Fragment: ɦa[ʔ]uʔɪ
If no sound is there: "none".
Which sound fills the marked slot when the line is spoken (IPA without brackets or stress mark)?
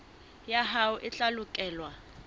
none